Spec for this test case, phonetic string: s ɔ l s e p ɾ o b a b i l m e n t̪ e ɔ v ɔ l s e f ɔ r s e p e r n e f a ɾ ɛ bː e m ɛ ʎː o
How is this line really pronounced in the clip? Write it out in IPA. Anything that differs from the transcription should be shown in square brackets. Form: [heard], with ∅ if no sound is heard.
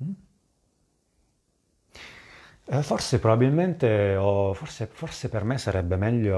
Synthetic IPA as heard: [f] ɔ [r] s e p ɾ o b a b i l m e n t̪ e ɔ [f] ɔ [r] s e f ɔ r s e p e r [m] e [s] a ɾ ɛ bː e m ɛ ʎː o